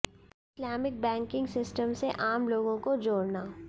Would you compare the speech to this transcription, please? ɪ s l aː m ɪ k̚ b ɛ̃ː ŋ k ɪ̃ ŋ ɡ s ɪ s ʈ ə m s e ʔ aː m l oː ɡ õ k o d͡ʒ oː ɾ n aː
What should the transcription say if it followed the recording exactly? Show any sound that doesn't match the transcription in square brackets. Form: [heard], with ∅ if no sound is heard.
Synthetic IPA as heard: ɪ s l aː m ɪ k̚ b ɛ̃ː ŋ k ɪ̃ ŋ ɡ s ɪ s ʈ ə m s e ʔ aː m l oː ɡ õ k o d͡ʒ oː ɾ n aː